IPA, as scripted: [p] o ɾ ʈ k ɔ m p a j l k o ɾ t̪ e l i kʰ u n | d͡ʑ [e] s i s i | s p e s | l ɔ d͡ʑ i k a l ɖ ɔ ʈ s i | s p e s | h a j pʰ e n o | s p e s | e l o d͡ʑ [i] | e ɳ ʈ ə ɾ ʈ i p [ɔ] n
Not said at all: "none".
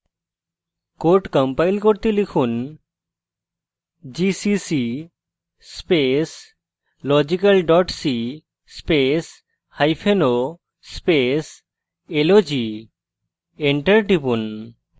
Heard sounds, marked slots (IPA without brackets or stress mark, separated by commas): k, i, i, u